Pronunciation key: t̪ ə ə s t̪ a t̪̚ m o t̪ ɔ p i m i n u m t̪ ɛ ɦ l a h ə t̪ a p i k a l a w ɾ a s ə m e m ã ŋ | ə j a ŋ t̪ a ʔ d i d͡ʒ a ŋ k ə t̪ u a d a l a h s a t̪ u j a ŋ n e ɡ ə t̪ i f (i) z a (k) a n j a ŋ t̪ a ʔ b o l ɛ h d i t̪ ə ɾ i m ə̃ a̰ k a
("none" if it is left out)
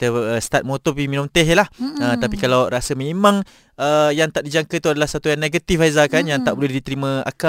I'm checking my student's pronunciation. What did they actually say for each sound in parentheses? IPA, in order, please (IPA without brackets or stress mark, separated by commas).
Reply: a, k